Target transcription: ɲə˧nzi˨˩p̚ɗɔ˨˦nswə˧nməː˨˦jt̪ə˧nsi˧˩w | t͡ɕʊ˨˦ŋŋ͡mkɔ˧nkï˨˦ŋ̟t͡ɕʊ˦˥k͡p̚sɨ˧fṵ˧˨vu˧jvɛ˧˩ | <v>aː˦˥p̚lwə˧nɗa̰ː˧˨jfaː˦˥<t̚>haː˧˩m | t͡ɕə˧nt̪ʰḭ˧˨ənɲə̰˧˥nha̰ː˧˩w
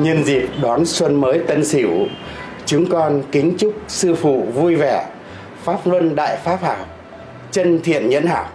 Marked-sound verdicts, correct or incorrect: incorrect: f, incorrect: p̚

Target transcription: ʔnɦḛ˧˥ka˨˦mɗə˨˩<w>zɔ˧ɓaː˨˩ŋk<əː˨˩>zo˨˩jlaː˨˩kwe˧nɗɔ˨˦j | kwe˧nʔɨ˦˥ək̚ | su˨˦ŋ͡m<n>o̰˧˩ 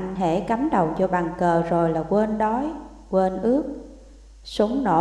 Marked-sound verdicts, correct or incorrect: correct, correct, correct

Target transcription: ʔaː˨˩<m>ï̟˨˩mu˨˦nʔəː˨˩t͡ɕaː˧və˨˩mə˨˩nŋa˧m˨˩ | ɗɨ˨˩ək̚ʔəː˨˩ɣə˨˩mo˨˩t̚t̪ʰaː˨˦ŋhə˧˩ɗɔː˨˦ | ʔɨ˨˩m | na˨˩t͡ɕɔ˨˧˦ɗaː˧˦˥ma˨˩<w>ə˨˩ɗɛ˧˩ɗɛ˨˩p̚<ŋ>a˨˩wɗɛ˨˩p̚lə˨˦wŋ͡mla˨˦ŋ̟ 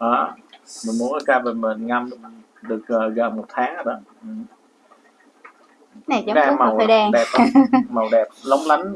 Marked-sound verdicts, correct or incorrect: correct, correct, incorrect: m

